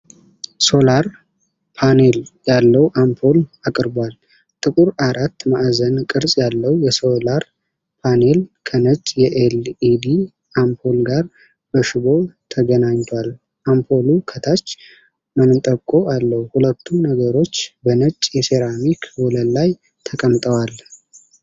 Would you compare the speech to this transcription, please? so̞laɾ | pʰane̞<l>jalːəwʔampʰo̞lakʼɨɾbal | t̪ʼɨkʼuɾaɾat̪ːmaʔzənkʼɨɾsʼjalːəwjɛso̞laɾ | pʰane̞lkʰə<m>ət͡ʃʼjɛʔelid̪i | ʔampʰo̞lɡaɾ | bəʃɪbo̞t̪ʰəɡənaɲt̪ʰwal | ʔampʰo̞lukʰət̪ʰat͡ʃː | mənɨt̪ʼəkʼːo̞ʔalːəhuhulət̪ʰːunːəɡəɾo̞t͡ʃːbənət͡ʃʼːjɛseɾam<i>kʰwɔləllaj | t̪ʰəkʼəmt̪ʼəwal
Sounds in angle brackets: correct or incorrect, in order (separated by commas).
correct, incorrect, correct